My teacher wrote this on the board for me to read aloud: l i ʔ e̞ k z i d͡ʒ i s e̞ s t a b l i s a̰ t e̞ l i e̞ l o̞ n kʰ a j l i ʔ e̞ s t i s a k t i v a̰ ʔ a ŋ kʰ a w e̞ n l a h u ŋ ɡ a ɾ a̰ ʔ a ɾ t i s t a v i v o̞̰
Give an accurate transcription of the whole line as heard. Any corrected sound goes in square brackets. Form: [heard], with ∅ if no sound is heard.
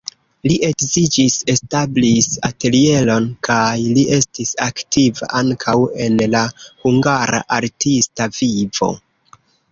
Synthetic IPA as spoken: l i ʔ e̞ k z i d͡ʒ i s e̞ s t a b l i s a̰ t e̞ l i e̞ l o̞ n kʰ a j l i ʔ e̞ s t i s a k t i v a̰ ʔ a ŋ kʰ a w e̞ n l a h u ŋ ɡ a ɾ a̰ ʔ a ɾ t i s t a v i v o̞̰